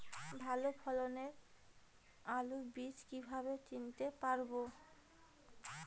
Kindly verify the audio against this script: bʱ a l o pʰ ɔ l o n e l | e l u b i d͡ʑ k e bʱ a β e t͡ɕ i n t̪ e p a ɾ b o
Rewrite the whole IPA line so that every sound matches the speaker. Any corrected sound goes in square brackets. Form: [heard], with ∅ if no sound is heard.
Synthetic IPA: bʱ a l o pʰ ɔ l o n e [ɾ] | [a] l u b i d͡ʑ k [i] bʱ a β e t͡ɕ i n t̪ e p a ɾ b o

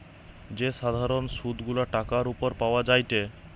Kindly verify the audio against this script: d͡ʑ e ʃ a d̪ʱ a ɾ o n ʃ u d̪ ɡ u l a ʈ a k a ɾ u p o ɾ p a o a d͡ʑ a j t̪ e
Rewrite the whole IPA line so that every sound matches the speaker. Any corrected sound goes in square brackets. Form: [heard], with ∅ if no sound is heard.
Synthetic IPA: d͡ʑ e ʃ a d̪ʱ a ɾ o n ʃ u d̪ ɡ u l a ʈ a k a ɾ u p o ɾ p a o a d͡ʑ a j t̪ e

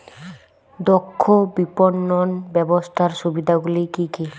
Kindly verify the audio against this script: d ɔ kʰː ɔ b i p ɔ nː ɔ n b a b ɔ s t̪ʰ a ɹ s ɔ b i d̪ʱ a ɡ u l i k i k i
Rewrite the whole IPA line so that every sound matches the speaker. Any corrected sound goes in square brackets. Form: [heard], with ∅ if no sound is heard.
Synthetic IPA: d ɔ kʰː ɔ b i p ɔ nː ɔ n b [ɛ] b ɔ s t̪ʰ a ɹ s [u] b i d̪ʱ a ɡ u l i k i k i

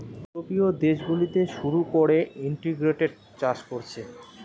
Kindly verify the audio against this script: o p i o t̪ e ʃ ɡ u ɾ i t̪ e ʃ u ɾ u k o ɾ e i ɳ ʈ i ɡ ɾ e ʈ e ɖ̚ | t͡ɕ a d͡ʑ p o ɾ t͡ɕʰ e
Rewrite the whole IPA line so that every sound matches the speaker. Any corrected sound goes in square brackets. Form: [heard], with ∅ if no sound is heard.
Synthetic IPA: o p i o [d̪] e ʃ ɡ u [l] i t̪ e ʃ u ɾ u k o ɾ e i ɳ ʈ i ɡ ɾ e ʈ e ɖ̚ | t͡ɕ a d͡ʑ [k] o ɾ t͡ɕʰ e

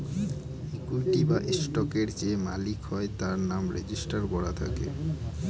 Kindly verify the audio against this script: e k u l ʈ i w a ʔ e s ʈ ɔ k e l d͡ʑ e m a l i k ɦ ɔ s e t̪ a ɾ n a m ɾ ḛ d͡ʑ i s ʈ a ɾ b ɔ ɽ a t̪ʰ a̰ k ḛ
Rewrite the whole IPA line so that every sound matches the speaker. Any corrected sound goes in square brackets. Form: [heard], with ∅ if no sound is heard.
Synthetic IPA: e k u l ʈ i [b] a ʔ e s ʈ ɔ k e [ɾ] d͡ʑ e m a l i k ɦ ɔ [∅] e t̪ a ɾ n a m ɾ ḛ d͡ʑ i s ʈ a ɾ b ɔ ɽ a t̪ʰ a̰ k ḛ

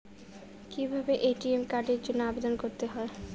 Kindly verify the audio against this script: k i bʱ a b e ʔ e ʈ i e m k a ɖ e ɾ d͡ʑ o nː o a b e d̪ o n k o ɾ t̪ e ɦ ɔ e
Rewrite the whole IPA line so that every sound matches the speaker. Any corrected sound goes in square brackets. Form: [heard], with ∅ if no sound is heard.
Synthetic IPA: k i bʱ a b e ʔ e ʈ i e m k a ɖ e ɾ d͡ʑ o nː o a b e d̪ o n k o ɾ t̪ e ɦ ɔ e

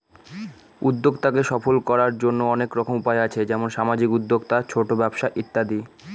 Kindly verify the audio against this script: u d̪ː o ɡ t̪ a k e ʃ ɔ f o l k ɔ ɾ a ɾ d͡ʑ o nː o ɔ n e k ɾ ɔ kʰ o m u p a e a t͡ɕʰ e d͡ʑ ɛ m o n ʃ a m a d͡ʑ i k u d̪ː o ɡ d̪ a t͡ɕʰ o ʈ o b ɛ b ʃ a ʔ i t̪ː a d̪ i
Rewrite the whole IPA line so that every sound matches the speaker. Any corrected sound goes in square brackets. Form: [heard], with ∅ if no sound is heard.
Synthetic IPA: u d̪ː o ɡ t̪ a k e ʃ ɔ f o l k ɔ ɾ a ɾ d͡ʑ o nː o ɔ n e k ɾ ɔ kʰ o m u p a e a t͡ɕʰ e d͡ʑ ɛ m o n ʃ a m a d͡ʑ i k u d̪ː o ɡ [t̪] a t͡ɕʰ o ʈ o b ɛ b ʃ a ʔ i t̪ː a d̪ i

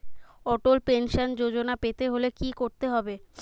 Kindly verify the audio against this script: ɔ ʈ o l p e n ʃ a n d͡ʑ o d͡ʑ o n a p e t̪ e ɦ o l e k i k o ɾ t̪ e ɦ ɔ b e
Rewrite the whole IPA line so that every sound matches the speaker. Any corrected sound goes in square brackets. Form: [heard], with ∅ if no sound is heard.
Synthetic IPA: ɔ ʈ o l p e n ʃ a n d͡ʑ o d͡ʑ o n a p e t̪ e ɦ o l e k i k o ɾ t̪ e ɦ ɔ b e

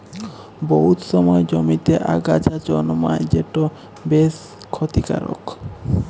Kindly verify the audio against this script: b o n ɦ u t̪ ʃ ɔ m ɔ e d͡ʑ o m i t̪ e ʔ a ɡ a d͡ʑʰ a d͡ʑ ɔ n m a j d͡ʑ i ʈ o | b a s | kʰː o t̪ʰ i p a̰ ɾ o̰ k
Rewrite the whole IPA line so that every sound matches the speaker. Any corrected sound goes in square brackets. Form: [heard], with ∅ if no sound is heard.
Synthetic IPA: b o [∅] ɦ u t̪ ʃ ɔ m ɔ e d͡ʑ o m i t̪ e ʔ a ɡ a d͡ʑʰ a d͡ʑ ɔ n m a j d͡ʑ [e] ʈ o | b [e] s | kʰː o [t̪] i [k] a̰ ɾ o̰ k

